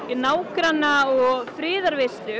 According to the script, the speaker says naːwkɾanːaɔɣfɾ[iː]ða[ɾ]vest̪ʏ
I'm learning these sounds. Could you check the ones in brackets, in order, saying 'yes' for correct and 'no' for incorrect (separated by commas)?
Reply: no, yes